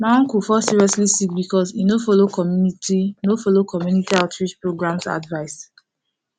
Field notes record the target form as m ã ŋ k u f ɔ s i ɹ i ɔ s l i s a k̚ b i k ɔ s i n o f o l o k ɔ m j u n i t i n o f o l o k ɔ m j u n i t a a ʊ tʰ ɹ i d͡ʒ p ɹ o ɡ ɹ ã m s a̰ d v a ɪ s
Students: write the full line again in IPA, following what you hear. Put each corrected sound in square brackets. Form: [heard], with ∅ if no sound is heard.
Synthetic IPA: m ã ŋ k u f ɔ s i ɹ i ɔ s l i s [i] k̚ b i k ɔ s i n o f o l o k ɔ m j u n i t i n o f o l o k ɔ m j u n i t [i] a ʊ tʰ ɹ i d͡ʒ p ɹ o ɡ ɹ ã m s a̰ d v a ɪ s